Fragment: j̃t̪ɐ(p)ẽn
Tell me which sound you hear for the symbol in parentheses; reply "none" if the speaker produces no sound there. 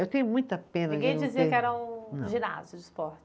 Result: p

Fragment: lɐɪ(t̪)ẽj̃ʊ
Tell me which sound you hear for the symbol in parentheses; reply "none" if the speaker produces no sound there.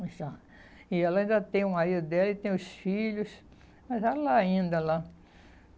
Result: t̪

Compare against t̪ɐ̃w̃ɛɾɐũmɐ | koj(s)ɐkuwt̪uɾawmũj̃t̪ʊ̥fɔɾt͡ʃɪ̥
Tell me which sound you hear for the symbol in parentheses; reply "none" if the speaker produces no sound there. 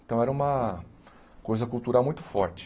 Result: z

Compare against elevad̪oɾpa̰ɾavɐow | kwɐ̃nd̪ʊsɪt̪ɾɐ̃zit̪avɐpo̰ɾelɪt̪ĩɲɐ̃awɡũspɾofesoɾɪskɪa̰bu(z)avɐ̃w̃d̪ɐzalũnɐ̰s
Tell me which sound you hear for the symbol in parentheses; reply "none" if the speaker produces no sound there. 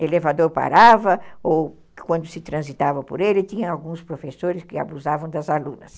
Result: z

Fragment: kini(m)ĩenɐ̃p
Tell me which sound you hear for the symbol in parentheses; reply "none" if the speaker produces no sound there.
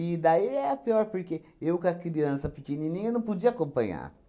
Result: n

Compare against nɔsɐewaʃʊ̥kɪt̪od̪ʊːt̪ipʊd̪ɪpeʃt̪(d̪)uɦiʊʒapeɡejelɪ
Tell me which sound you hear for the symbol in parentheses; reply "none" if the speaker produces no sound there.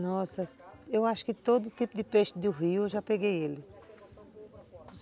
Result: d̪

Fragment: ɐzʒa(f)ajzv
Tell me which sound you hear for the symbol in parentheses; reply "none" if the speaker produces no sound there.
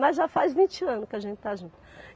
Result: f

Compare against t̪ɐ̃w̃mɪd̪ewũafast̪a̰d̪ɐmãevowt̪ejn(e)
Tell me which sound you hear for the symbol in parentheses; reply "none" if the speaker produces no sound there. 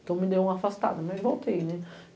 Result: ɛ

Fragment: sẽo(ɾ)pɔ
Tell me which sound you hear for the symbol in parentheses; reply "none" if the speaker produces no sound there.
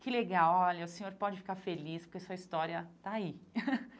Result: ɾ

